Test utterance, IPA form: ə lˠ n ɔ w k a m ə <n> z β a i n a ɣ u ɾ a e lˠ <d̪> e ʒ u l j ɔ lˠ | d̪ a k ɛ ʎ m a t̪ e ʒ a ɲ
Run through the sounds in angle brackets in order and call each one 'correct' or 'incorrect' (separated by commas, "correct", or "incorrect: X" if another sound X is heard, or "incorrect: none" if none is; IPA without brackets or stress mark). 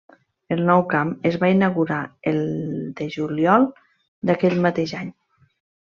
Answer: incorrect: none, correct